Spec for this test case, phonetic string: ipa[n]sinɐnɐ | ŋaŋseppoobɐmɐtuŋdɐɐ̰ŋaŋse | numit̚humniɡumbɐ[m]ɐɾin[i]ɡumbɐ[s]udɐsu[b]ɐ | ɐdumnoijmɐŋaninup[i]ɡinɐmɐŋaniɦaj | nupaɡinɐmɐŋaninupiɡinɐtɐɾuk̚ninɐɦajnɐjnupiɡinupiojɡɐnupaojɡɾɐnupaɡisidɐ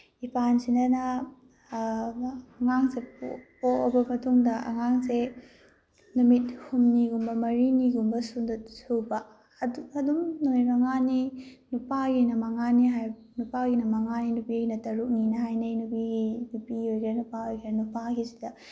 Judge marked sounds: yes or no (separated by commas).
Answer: yes, yes, yes, yes, yes, no